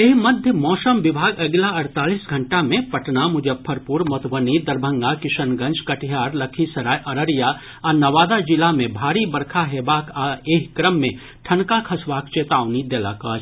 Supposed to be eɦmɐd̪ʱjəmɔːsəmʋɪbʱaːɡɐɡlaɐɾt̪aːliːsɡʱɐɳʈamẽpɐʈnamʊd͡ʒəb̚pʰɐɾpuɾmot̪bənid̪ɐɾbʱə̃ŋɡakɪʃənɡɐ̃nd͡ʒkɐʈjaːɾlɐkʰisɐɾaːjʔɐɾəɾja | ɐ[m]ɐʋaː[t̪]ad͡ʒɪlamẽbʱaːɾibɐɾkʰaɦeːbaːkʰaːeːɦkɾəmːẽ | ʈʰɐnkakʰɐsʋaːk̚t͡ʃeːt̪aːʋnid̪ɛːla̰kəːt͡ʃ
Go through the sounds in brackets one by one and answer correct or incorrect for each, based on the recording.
incorrect: n, incorrect: d̪

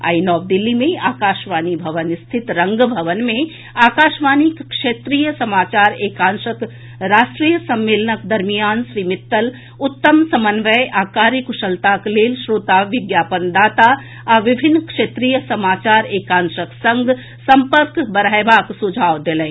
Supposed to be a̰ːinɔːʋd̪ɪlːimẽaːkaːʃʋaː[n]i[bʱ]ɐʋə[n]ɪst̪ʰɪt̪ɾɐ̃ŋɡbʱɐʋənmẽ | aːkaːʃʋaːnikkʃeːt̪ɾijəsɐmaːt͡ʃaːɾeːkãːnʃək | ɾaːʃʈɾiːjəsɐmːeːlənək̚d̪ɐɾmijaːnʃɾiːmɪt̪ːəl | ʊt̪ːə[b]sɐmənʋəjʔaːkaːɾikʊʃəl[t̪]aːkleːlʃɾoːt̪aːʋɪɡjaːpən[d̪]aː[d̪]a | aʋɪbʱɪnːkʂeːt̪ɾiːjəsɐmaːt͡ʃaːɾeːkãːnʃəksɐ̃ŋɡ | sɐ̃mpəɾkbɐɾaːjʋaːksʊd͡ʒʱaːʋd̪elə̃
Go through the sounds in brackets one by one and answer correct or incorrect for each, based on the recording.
correct, correct, correct, incorrect: m, correct, correct, incorrect: t̪

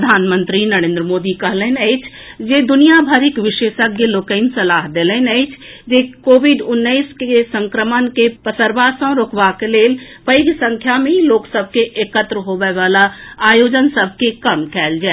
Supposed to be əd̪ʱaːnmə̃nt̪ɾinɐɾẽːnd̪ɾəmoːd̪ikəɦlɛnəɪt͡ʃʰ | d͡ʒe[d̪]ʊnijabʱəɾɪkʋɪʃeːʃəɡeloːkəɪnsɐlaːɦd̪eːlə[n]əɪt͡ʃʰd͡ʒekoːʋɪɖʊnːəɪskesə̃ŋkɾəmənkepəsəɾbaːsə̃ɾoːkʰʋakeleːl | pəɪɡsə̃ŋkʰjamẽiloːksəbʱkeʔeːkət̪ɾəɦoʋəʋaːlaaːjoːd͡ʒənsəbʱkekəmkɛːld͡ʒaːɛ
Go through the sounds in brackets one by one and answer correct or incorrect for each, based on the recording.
correct, correct

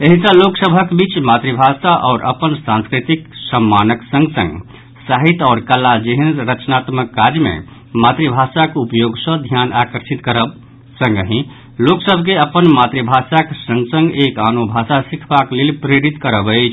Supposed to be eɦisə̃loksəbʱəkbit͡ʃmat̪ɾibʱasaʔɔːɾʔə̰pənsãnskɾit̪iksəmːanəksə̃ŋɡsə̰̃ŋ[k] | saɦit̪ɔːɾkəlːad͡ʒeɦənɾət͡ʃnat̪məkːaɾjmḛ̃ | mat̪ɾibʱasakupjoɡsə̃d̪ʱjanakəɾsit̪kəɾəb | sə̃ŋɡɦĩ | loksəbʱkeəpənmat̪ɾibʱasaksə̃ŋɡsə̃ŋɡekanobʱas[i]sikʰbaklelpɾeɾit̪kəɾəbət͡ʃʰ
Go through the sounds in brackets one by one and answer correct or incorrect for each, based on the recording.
incorrect: ɡ, incorrect: a

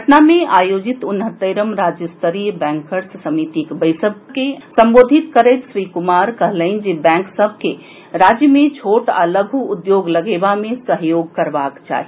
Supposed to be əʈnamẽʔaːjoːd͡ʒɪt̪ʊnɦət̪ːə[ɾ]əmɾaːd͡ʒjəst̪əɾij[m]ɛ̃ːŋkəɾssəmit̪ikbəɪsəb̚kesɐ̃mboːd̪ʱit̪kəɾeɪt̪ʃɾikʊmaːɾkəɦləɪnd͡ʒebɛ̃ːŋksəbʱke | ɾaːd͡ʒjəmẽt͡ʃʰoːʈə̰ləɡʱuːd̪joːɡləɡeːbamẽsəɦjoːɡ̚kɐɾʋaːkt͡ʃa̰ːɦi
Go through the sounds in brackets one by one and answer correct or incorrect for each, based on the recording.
correct, incorrect: b

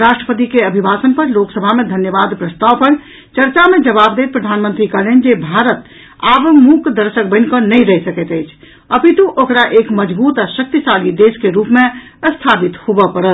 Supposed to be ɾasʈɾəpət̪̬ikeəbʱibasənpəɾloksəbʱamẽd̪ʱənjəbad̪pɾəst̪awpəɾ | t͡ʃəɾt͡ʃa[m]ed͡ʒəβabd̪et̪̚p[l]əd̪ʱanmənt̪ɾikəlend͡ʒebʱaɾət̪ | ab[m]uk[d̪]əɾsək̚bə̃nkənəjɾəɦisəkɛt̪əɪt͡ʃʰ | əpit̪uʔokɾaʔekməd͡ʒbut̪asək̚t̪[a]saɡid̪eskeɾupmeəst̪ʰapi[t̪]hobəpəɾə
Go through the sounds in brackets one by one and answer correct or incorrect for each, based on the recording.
correct, incorrect: ɾ, correct, correct, incorrect: i, correct

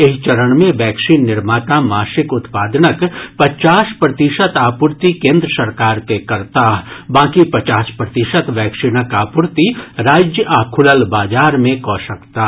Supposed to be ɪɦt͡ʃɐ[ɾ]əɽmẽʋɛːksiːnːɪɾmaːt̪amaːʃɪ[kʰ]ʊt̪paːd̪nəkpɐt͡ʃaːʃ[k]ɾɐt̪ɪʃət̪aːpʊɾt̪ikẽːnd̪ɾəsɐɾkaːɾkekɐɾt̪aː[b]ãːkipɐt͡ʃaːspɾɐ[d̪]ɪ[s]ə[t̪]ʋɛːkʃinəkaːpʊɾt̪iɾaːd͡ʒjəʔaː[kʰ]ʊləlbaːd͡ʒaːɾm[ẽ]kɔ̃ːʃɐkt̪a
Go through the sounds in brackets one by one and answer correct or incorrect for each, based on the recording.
correct, incorrect: k, incorrect: p, correct, incorrect: t̪, incorrect: ʃ, correct, correct, correct

